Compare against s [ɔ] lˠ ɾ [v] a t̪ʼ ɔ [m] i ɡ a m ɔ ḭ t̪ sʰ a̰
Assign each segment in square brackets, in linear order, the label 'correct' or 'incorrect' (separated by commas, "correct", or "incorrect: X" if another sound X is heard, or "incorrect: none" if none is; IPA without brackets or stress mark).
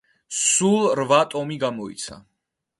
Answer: incorrect: u, correct, correct